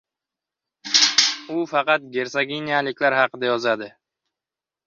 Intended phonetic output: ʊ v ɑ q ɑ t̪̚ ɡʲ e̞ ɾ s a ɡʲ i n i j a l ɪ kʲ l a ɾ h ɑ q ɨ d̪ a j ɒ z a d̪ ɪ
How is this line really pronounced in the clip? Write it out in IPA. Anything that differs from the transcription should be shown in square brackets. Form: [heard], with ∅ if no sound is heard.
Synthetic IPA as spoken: ʊ [f] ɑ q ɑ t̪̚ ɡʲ e̞ ɾ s a ɡʲ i n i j a l ɪ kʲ l a ɾ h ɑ q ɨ d̪ a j ɒ z a d̪ ɪ